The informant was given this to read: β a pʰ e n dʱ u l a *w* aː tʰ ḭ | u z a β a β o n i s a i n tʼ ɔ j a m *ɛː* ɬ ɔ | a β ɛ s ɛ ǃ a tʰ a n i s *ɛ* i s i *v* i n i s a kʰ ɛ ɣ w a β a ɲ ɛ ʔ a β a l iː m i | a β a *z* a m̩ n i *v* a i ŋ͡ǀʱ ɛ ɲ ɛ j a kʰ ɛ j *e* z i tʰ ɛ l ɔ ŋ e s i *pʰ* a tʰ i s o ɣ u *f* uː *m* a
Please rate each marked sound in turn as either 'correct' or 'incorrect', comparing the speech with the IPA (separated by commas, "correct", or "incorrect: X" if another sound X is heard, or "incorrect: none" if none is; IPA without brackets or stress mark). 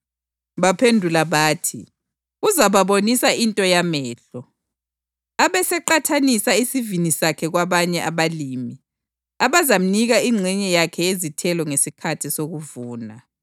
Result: incorrect: β, correct, incorrect: a, correct, correct, incorrect: ɣ, correct, incorrect: kʰ, incorrect: v, incorrect: n